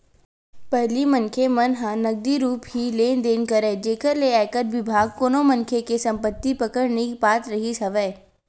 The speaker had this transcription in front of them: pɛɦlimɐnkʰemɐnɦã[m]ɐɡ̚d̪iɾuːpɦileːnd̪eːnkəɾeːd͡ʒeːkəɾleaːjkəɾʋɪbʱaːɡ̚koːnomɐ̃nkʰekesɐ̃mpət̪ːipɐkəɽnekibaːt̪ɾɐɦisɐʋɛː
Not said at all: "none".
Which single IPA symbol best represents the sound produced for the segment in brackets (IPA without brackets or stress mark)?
n